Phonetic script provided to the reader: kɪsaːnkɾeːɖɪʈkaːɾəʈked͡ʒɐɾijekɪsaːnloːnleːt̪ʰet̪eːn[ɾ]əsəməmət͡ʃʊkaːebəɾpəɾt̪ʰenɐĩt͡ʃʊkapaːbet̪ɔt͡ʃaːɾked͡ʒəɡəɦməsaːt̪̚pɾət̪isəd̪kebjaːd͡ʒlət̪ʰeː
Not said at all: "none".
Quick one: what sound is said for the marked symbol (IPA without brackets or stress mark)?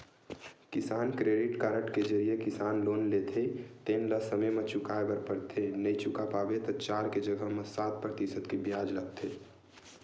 l